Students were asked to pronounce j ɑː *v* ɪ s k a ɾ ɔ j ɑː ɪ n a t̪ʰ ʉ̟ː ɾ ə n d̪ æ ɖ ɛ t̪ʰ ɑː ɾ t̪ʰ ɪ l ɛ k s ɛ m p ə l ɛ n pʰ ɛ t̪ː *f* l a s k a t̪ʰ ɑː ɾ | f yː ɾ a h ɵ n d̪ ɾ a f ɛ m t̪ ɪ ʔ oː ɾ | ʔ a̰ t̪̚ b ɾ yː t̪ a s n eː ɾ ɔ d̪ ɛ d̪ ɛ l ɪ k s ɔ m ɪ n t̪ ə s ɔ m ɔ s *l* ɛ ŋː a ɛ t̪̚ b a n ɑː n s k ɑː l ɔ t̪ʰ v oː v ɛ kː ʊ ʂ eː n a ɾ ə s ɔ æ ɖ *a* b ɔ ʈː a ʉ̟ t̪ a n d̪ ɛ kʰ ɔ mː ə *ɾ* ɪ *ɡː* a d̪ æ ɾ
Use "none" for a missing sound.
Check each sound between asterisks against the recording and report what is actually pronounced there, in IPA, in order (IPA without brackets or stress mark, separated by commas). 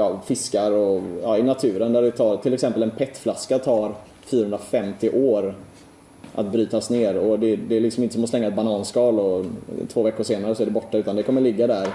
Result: f, f, l, ɛ, ɭ, ɡː